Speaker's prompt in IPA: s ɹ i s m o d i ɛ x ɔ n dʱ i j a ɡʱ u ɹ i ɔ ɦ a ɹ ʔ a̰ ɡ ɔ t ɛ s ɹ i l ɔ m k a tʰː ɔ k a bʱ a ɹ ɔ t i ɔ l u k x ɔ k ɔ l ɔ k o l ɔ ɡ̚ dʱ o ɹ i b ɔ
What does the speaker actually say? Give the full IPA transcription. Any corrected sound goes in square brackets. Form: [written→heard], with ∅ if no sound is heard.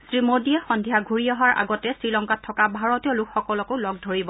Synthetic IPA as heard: s ɹ i [s→∅] m o d i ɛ x ɔ n dʱ i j a ɡʱ u ɹ i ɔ ɦ a ɹ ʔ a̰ ɡ ɔ t ɛ s ɹ i l ɔ [m→ŋ] k a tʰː ɔ k a bʱ a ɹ ɔ t i ɔ l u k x ɔ k ɔ l ɔ k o l ɔ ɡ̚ dʱ o ɹ i b ɔ

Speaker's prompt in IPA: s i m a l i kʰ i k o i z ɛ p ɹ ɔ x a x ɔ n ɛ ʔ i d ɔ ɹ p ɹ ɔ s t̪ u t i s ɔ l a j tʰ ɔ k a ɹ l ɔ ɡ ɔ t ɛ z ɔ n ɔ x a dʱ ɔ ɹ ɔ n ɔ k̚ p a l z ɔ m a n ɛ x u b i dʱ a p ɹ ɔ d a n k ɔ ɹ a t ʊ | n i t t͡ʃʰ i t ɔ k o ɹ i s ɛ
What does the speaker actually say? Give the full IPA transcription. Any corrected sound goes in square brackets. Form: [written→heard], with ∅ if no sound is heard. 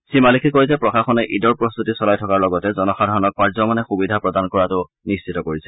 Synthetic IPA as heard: s i m a l i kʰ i k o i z ɛ p ɹ ɔ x a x ɔ n ɛ ʔ i d ɔ ɹ p ɹ ɔ s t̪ u t i s ɔ l a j tʰ ɔ k a ɹ l ɔ ɡ ɔ t ɛ z ɔ n ɔ x a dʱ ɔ ɹ ɔ n ɔ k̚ p a [l→ɹ] z ɔ m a n ɛ x u b i dʱ a p ɹ ɔ d a n k ɔ ɹ a t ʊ | n i [t→s] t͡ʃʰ i t ɔ k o ɹ i s ɛ

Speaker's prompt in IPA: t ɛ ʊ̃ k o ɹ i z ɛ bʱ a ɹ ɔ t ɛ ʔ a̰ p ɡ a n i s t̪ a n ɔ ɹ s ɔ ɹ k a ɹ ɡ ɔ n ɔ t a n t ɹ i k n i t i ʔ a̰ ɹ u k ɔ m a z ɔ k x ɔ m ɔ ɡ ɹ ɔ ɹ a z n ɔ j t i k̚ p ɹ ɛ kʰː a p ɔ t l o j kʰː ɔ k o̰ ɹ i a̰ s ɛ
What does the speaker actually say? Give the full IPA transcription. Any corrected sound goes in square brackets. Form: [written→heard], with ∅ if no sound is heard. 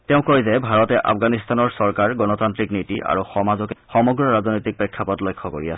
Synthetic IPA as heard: t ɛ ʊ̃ k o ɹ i z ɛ bʱ a ɹ ɔ t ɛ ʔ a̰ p ɡ a n i s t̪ a n ɔ ɹ s ɔ ɹ k a ɹ ɡ ɔ n ɔ t a n t ɹ i k n i t i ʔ a̰ ɹ u [k→x] ɔ m a z ɔ k x ɔ m ɔ ɡ ɹ ɔ ɹ a z n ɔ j t i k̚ p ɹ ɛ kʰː a p ɔ t l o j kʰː ɔ k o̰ ɹ i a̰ s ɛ

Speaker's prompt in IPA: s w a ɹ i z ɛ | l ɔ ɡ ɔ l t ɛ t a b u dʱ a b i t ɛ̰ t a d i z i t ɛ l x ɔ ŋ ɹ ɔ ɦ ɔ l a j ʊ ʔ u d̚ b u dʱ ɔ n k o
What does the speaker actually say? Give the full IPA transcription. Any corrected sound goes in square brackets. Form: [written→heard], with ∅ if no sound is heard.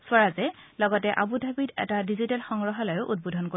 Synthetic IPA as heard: s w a ɹ [i→a] z ɛ | l ɔ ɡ ɔ [l→∅] t ɛ [t→ʔ] a b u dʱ a b i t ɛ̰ t a d i z i t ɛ l x ɔ ŋ ɹ ɔ ɦ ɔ l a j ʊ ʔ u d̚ b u dʱ ɔ n k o

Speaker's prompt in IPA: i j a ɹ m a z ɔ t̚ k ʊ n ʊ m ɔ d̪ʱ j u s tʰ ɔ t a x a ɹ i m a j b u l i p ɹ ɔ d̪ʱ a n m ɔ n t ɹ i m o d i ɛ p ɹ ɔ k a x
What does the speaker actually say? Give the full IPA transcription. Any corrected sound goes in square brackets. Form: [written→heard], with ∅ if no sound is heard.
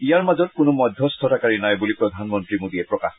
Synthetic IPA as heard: i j a ɹ m a z ɔ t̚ k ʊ n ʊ m ɔ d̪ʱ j [u→ɔ] s tʰ ɔ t a [x→k] a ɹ i [m→n] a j b u l i p ɹ ɔ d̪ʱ a n m ɔ n t ɹ i m o d i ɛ p ɹ ɔ k a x

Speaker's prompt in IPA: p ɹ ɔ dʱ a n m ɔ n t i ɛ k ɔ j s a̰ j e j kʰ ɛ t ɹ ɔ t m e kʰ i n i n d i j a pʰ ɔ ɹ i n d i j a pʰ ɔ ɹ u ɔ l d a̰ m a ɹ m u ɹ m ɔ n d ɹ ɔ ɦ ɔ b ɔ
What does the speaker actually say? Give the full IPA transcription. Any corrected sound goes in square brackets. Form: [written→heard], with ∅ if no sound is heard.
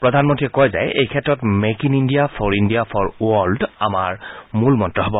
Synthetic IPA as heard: p ɹ ɔ dʱ a n m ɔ n t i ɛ k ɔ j [s→z] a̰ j e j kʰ ɛ t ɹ ɔ t m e [kʰ→k] i n i n d i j a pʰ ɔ ɹ i n d i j a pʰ ɔ ɹ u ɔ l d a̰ m a ɹ m u [ɹ→l] m ɔ n [d→t] ɹ ɔ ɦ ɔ b ɔ

